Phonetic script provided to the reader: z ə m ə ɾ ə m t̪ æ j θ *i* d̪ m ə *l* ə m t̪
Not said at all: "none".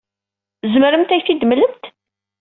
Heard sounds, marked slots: i, l

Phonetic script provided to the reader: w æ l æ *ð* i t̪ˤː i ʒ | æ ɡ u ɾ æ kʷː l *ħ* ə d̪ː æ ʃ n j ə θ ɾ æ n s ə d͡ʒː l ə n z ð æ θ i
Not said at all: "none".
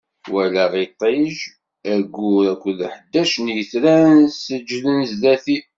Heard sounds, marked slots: ʁ, ħ

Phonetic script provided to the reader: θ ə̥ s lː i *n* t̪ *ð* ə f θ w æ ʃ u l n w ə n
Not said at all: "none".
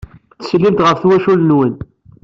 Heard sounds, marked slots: m, ʁ

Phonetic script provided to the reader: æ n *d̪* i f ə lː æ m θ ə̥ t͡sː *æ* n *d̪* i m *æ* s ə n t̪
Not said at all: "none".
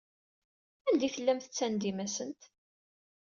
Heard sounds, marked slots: d̪, æ, d̪, æ

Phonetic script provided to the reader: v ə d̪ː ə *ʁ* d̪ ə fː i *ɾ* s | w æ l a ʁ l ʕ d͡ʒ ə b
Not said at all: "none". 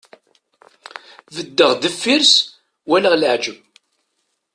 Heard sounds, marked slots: ʁ, ɾ

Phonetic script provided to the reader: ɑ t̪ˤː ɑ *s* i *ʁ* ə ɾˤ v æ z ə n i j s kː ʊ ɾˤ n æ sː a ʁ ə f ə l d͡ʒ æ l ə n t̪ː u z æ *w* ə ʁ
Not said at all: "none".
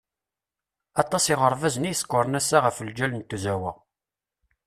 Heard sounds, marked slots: s, ʁ, w

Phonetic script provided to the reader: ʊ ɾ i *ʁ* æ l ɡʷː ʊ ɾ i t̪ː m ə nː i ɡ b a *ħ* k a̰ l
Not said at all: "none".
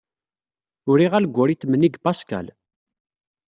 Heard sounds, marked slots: ʁ, s

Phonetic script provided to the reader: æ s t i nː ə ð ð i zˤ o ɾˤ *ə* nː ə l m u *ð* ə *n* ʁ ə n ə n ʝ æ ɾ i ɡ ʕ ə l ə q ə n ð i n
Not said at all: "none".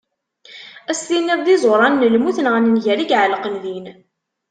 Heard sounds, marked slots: ɑ, θ, n

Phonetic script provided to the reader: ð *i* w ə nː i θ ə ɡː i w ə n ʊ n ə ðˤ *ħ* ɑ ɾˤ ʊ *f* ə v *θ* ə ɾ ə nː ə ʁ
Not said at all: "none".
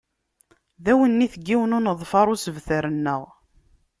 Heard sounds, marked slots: æ, f, s, θ

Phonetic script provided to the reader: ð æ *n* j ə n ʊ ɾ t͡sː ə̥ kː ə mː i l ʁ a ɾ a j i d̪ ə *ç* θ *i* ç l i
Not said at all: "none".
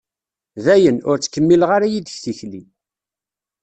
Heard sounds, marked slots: none, ç, i

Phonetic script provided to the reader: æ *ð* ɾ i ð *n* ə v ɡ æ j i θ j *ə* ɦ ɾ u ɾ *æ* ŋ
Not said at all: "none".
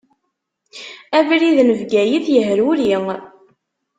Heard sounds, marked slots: v, n, ə, i

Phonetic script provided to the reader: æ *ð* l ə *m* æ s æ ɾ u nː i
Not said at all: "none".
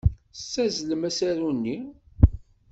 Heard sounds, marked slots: z, m

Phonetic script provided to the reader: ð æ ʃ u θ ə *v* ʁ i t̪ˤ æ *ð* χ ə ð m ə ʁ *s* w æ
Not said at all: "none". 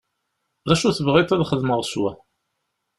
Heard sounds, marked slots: v, ð, s

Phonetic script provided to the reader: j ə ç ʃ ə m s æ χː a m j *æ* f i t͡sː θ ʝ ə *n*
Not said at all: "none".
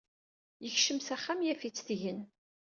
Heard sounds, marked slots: æ, n

